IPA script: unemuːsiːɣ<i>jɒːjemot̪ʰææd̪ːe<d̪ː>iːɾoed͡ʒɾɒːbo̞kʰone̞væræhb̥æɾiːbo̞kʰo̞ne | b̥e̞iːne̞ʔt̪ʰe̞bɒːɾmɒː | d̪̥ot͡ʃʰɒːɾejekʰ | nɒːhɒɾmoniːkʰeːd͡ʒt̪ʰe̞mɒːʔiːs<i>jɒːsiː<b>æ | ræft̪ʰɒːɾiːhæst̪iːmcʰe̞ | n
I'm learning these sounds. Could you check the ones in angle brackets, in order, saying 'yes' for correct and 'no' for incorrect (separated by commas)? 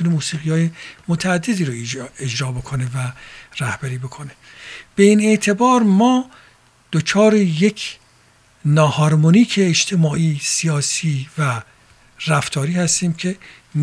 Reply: yes, no, yes, no